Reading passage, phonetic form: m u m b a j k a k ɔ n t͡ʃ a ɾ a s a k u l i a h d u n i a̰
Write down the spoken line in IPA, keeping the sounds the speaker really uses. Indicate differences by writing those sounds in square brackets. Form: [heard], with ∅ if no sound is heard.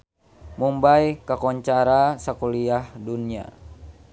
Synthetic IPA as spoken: m u m b a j k a k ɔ [ɲ] t͡ʃ a ɾ a s a k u l i a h d u n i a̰